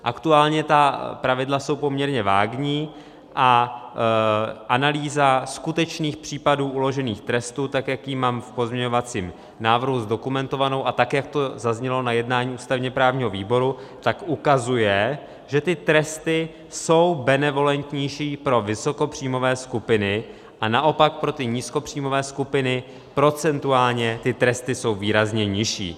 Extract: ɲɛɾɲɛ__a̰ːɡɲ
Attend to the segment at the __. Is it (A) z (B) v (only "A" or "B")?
B